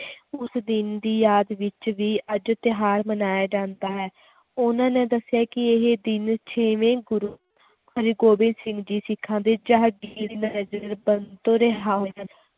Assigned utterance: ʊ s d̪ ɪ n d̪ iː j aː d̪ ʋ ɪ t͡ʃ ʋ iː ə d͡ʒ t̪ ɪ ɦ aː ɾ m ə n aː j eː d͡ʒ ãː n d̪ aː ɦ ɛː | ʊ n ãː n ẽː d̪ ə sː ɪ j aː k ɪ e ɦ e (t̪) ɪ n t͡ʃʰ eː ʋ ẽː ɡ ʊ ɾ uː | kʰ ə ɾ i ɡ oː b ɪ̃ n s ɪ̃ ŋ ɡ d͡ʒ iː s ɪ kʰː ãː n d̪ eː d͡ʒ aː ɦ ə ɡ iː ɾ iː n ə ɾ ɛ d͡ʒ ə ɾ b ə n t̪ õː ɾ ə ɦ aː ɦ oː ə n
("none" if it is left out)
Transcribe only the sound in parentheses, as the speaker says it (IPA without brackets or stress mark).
d̪